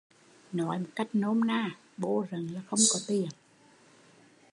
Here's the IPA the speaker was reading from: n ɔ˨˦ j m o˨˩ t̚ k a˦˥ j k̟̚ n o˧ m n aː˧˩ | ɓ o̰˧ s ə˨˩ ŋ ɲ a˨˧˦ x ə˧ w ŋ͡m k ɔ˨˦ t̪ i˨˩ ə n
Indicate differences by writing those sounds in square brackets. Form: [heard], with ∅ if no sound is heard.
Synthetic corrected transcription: n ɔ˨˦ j m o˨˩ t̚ k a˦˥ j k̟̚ n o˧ m n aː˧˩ | ɓ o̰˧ [z] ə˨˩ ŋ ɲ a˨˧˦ x ə˧ w ŋ͡m k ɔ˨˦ t̪ i˨˩ ə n